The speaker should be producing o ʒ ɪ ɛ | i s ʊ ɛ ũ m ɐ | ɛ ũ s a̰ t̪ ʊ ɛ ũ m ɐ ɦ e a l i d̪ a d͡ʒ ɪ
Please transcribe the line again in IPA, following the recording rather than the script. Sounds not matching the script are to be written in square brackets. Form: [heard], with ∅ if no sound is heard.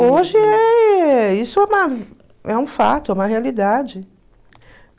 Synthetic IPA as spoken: o ʒ ɪ ɛ | i s ʊ ɛ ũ m ɐ | ɛ ũ [f] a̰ t̪ ʊ ɛ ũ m ɐ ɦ e a l i d̪ a d͡ʒ ɪ